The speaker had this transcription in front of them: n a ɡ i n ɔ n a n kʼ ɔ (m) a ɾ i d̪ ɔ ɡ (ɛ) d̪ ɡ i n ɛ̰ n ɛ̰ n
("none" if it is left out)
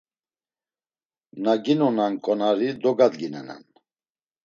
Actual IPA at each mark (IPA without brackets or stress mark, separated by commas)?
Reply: n, a